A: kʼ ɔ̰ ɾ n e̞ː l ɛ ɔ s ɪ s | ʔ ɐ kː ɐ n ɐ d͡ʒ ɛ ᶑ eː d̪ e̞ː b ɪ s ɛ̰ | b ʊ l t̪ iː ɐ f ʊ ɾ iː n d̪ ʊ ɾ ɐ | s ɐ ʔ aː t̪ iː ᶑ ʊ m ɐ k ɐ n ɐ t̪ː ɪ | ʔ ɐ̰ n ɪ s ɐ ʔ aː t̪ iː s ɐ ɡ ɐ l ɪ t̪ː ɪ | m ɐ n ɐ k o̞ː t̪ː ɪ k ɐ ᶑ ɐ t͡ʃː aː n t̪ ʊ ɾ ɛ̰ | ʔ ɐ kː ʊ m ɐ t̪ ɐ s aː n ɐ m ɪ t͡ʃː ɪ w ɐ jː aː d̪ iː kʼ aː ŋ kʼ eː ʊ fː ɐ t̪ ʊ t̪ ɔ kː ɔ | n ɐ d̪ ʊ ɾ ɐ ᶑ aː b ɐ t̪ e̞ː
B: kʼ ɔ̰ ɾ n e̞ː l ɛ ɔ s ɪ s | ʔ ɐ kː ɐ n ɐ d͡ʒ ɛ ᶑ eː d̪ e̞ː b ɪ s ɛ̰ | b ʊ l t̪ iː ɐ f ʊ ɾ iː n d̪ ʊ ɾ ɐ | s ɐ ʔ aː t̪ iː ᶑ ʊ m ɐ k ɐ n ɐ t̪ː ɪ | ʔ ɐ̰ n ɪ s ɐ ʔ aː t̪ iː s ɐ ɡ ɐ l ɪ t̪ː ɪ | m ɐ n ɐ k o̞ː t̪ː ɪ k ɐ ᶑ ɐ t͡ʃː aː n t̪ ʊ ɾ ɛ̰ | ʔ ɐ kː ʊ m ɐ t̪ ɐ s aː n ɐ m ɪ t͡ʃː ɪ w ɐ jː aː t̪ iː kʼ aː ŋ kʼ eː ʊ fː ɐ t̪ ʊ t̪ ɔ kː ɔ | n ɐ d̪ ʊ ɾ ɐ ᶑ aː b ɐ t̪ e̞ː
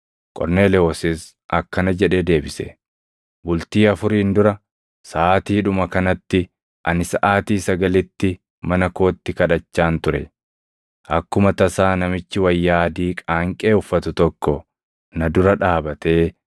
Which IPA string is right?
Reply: A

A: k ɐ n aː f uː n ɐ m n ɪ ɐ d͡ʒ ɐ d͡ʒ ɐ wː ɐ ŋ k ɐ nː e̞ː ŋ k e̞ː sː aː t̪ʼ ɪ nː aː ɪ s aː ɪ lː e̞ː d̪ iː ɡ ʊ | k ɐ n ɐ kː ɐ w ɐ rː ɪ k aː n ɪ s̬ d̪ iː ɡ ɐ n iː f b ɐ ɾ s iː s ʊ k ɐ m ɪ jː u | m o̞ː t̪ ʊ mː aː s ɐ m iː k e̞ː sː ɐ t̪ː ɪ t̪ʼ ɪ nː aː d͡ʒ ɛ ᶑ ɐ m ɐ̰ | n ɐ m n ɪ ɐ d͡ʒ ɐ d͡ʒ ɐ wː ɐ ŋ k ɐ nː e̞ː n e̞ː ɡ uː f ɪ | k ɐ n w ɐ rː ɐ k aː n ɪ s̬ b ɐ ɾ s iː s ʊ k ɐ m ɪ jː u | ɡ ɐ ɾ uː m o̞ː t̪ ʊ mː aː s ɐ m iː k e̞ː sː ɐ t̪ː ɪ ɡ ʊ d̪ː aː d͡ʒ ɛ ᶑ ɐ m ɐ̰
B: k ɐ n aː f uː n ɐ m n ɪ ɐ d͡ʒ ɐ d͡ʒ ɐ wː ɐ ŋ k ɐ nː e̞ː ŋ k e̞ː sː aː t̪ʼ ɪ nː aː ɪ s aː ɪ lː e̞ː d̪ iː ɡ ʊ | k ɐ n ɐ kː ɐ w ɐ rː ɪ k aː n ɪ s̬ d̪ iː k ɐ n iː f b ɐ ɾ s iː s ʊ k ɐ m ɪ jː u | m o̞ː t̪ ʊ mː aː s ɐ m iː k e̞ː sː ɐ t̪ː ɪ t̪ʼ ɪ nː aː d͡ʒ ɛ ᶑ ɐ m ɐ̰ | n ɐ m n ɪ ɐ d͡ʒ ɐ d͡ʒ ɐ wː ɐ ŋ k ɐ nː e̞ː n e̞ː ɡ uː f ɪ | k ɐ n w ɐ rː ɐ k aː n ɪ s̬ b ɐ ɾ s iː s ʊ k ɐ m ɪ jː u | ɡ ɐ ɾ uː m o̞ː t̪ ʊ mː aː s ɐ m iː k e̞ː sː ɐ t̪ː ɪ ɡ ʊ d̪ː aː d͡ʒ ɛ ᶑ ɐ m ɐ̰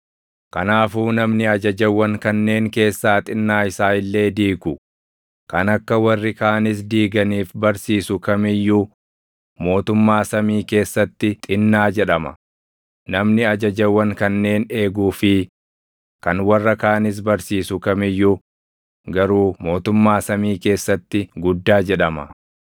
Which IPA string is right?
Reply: A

